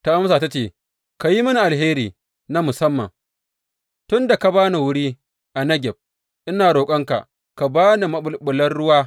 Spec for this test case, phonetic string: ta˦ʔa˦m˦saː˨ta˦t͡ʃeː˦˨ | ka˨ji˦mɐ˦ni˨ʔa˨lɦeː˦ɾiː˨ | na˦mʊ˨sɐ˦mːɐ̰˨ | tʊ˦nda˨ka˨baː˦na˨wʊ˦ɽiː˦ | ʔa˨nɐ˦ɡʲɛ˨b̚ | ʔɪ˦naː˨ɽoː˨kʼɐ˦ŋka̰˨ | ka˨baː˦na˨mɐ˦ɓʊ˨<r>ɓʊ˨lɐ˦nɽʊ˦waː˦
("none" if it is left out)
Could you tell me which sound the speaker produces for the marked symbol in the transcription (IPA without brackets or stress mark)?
l